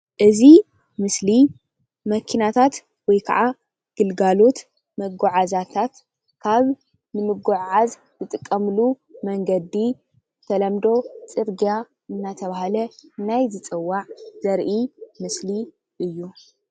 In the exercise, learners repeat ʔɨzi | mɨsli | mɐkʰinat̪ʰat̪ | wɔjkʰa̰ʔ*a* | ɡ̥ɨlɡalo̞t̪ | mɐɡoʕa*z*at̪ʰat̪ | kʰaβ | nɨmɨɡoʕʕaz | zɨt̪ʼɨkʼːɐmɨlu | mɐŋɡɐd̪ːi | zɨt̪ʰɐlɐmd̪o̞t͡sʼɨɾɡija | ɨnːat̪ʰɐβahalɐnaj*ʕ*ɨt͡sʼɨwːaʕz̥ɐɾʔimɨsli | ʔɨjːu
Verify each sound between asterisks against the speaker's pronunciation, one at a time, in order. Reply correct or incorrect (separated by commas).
correct, correct, incorrect